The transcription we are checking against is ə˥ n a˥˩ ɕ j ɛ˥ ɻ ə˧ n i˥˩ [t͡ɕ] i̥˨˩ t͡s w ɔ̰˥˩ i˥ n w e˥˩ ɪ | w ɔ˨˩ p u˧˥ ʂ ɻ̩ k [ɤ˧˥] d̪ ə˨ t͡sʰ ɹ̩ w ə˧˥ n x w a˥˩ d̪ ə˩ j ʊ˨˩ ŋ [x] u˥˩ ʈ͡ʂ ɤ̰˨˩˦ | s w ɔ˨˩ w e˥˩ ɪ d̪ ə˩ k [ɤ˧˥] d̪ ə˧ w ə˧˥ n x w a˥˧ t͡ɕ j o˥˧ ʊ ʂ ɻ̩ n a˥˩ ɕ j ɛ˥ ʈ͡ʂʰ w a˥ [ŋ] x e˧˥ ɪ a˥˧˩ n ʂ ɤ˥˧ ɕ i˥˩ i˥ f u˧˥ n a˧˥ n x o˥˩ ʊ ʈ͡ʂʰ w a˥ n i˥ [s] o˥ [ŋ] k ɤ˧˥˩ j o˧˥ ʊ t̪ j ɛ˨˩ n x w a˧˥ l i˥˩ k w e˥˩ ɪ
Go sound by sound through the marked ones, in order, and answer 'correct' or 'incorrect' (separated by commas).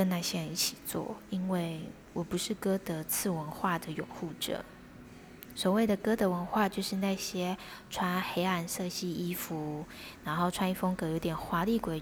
incorrect, incorrect, correct, incorrect, incorrect, incorrect, correct